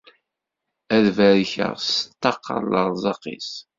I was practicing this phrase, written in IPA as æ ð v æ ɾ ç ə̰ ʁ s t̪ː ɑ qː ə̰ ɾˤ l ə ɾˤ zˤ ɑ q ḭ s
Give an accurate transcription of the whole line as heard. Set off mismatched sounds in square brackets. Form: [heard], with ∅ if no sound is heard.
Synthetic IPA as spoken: æ ð v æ ɾ ç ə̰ ʁ s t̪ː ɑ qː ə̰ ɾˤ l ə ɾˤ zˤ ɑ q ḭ s

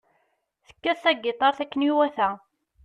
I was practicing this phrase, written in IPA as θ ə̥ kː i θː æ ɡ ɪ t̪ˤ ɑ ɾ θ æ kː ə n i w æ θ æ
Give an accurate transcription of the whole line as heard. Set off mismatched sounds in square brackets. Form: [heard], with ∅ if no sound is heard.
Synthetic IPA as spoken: θ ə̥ kː [æ] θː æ ɡ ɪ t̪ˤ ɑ ɾ θ æ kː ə n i w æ θ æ

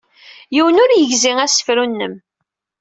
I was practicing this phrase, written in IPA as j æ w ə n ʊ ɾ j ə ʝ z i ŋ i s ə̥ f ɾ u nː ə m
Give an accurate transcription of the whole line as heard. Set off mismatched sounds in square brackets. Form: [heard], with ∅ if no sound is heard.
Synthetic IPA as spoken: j [i] w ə n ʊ ɾ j ə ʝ z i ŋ [æ] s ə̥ f ɾ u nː ə m

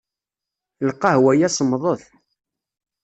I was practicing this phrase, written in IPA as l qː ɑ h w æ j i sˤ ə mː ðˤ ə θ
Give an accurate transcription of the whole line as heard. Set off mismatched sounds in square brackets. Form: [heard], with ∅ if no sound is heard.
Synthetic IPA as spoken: l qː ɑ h w æ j [æ] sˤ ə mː ðˤ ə θ

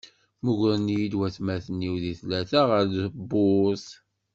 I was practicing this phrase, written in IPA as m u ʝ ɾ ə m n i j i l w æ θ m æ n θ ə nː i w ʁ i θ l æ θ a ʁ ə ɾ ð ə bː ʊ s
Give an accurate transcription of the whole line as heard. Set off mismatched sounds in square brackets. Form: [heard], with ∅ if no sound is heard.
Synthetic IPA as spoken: m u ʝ ɾ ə [∅] n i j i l w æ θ m æ [∅] θ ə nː i w [ð] i θ l æ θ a ʁ ə ɾ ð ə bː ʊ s

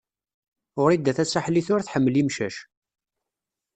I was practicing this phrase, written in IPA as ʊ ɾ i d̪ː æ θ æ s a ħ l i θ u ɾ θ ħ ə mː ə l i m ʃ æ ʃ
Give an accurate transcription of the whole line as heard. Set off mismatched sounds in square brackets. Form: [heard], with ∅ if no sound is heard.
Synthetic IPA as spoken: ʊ ɾ i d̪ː æ θ æ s a ħ l i θ [ʊ] ɾ θ ħ ə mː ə l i m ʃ æ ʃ

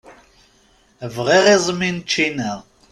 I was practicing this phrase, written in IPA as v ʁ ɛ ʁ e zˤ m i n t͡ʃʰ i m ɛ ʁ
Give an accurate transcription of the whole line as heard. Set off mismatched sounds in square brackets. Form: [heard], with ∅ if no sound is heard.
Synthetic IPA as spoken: v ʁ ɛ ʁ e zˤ m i n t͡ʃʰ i [n] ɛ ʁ

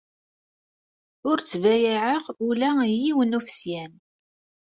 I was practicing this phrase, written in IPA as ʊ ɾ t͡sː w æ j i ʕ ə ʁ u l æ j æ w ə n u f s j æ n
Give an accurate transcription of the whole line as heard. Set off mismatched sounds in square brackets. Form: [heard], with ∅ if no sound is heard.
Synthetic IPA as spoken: ʊ ɾ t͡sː [v] æ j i ʕ ə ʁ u l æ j [i] w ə n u f s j æ n

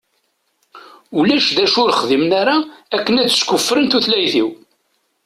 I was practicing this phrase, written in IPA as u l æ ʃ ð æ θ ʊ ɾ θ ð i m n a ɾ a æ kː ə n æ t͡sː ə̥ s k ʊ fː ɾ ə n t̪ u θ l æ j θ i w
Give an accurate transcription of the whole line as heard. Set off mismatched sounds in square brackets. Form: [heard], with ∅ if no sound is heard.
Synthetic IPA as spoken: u l æ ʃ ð æ [ʃ] ʊ ɾ [χ] ð i m n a ɾ a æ kː ə n æ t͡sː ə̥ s k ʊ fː ɾ ə n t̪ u θ l æ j θ i w

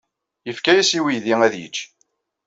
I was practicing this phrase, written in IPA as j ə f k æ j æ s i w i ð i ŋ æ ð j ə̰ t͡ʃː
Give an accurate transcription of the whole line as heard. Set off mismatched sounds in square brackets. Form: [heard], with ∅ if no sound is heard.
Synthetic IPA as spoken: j ə f k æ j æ s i w i ð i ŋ æ ð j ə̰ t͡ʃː

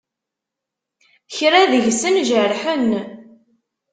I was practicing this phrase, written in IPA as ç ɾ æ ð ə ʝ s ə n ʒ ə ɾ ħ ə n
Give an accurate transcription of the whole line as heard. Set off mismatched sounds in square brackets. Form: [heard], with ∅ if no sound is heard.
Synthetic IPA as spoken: ç ɾ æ ð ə ʝ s ə n ʒ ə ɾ ħ ə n

